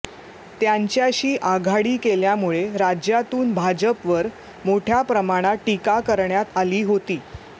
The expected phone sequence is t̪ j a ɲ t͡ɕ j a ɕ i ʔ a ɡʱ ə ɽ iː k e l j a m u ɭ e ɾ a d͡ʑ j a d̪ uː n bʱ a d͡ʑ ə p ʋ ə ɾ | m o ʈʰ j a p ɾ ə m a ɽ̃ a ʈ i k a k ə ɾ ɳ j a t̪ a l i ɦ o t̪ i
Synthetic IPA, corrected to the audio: t̪ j a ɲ t͡ɕ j a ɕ iː ʔ a ɡʱ a ɽ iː k e l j a m u ɭ e ɾ a d͡ʑ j a t̪ uː n bʱ a d͡ʑ ə p ʋ ə ɾ | m o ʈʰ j a p ɾ ə m a ɽ̃ a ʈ i k a k ə ɾ ɳ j a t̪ a l iː ɦ o t̪ iː